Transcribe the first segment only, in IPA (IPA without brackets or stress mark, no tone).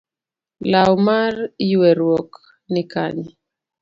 l